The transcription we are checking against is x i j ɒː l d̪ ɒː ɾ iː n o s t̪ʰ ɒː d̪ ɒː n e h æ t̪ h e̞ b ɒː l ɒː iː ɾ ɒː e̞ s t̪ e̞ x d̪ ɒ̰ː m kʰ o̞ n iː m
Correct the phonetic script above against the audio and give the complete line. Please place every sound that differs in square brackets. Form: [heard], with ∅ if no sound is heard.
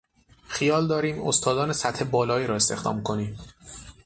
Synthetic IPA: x i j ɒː l d̪ ɒː ɾ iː [m] o s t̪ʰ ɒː d̪ ɒː n e [s] æ t̪ h e̞ b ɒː l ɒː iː ɾ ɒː e̞ s t̪ e̞ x d̪ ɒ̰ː m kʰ o̞ n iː m